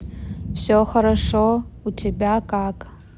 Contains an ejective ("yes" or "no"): yes